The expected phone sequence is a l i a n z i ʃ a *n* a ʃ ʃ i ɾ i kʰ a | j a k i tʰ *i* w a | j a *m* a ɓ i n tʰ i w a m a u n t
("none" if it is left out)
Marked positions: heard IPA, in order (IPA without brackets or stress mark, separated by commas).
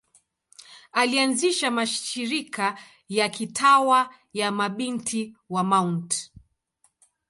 m, a, m